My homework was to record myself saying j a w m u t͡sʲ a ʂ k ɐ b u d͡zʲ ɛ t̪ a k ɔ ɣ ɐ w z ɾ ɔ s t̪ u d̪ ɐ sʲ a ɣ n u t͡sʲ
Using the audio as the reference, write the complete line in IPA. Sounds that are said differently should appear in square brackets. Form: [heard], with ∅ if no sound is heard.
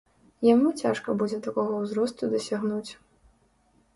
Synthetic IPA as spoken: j a [∅] m u t͡sʲ a ʂ k ɐ b u d͡zʲ ɛ t̪ a k ɔ ɣ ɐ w z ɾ ɔ s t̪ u d̪ ɐ sʲ a ɣ n u t͡sʲ